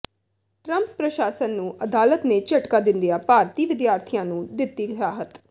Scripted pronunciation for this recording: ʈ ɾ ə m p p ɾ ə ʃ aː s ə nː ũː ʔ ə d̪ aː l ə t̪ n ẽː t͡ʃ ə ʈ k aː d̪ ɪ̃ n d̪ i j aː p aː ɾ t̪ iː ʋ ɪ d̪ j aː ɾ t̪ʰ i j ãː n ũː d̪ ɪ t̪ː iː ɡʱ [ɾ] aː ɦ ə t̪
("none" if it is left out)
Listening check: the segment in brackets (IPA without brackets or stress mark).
ɾ